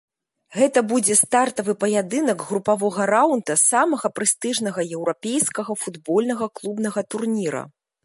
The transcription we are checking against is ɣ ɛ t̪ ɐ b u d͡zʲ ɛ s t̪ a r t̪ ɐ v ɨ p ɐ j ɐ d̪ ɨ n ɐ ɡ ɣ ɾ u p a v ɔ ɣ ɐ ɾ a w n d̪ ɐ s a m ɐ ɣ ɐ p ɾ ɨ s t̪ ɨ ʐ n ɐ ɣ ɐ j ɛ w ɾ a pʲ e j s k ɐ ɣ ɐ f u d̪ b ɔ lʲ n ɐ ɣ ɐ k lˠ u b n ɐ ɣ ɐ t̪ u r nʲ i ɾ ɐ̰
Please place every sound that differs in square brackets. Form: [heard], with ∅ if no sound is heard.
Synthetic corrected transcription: ɣ ɛ t̪ ɐ b u d͡zʲ ɛ s t̪ a r t̪ ɐ v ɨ p ɐ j [a] d̪ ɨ n ɐ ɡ ɣ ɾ u p a v ɔ ɣ ɐ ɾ a w n d̪ ɐ s a m ɐ ɣ ɐ p ɾ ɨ s t̪ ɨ ʐ n ɐ ɣ ɐ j ɛ w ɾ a pʲ e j s k ɐ ɣ ɐ f u d̪ b ɔ lʲ n ɐ ɣ ɐ k lˠ u b n ɐ ɣ ɐ t̪ u r nʲ i ɾ ɐ̰